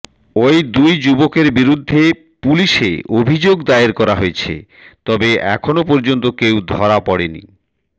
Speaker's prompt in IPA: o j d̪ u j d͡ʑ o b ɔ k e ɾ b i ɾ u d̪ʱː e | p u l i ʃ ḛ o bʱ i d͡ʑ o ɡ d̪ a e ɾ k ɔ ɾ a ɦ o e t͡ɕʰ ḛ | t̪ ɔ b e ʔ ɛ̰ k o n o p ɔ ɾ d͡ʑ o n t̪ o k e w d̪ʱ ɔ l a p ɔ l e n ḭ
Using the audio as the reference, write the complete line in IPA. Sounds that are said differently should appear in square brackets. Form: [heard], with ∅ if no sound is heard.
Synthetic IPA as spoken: o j d̪ u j d͡ʑ [u] b [o] k e ɾ b i ɾ u d̪ʱː e | p u l i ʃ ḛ o bʱ i d͡ʑ o ɡ d̪ a e ɾ k ɔ ɾ a ɦ o e t͡ɕʰ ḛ | t̪ ɔ b e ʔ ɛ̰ [kʰ] o n o p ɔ ɾ d͡ʑ o n t̪ o k e w d̪ʱ ɔ [ɾ] a p ɔ [ɽ] e n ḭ